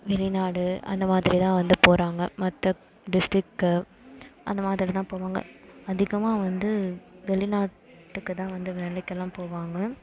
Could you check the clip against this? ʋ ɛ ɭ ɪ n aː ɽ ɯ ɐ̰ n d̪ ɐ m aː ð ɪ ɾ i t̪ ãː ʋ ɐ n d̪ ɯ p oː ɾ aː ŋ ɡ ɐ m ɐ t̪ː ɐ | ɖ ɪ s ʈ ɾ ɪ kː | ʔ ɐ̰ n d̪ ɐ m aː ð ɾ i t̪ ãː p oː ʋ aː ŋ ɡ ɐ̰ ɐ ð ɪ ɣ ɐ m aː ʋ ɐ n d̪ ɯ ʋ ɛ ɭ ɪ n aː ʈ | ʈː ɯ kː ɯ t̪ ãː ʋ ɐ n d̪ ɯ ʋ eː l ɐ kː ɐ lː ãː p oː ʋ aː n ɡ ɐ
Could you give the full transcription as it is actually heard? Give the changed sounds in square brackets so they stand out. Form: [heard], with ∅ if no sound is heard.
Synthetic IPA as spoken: ʋ ɛ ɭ ɪ n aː ɽ ɯ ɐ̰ n d̪ ɐ m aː ð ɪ ɾ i t̪ ãː ʋ ɐ n d̪ ɯ p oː ɾ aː ŋ ɡ ɐ m ɐ t̪ː ɐ | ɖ ɪ s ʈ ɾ ɪ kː | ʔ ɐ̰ n d̪ ɐ m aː ð ɾ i t̪ ãː p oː ʋ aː ŋ ɡ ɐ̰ ɐ ð ɪ ɣ ɐ m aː ʋ ɐ n d̪ ɯ ʋ ɛ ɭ ɪ n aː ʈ | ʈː ɯ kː ɯ t̪ ãː ʋ ɐ n d̪ ɯ ʋ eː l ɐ kː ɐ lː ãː p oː ʋ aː [ŋ] ɡ ɐ